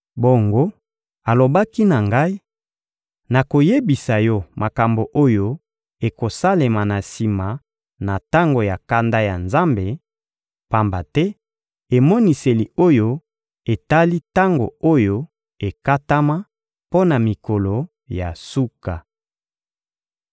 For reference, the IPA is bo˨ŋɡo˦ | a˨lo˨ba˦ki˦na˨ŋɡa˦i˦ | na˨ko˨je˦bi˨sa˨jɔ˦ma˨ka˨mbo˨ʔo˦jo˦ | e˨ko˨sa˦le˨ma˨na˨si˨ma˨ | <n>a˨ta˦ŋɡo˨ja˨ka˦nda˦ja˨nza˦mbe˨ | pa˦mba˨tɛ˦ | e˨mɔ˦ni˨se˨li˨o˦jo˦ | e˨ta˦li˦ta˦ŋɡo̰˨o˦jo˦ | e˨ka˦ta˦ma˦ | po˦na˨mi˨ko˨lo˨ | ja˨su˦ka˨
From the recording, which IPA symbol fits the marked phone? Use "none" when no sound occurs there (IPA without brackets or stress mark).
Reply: n